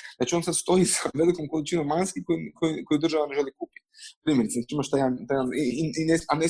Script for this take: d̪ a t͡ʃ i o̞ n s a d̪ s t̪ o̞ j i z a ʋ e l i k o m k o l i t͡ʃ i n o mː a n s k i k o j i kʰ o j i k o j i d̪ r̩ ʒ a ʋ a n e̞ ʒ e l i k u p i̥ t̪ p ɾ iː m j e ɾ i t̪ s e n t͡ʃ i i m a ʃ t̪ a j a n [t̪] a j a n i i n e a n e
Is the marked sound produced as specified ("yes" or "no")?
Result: yes